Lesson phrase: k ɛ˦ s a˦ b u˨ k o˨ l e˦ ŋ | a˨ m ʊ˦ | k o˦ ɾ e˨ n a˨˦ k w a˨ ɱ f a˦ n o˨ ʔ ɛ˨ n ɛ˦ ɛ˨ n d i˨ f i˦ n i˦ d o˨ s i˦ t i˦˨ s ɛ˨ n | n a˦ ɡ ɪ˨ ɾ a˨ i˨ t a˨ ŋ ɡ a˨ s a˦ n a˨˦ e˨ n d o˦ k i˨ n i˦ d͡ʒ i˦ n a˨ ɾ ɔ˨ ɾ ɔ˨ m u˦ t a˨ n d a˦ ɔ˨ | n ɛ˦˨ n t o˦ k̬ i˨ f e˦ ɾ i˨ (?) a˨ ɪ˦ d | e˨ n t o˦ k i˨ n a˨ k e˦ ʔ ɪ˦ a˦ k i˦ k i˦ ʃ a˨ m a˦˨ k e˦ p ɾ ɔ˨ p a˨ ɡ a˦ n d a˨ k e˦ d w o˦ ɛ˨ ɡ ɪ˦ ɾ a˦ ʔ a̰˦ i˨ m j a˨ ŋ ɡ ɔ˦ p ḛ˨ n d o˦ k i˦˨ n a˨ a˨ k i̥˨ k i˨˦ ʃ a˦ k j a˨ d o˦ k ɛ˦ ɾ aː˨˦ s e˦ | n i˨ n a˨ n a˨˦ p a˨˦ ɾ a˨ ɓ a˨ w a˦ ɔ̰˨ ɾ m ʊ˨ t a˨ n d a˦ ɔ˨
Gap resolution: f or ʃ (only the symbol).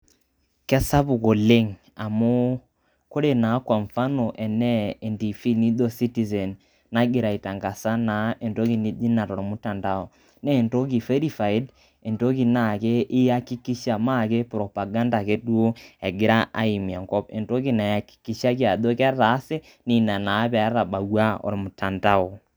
f